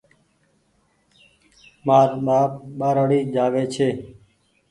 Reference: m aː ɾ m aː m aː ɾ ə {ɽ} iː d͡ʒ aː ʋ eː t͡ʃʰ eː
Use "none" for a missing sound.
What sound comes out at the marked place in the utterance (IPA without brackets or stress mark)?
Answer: ɽ